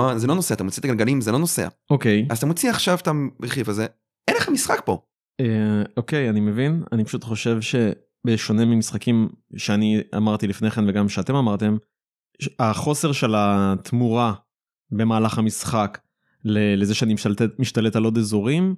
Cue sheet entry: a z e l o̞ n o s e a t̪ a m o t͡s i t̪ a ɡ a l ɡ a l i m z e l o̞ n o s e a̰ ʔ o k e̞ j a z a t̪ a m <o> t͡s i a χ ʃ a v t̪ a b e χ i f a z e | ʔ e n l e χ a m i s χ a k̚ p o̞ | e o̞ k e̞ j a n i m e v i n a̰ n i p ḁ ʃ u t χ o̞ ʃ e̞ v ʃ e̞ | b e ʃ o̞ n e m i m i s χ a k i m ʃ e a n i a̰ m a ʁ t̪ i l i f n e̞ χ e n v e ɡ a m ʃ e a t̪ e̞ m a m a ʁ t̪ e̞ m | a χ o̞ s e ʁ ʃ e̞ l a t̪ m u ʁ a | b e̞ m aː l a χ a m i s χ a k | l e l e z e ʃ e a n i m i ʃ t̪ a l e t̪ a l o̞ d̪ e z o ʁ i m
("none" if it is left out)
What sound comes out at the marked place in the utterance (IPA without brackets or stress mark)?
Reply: o